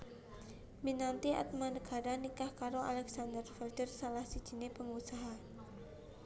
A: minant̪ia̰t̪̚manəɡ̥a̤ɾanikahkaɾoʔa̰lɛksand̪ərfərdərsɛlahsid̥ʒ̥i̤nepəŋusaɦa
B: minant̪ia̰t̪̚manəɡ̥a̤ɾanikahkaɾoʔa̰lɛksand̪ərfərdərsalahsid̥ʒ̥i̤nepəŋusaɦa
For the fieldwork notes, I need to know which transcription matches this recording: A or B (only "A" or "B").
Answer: B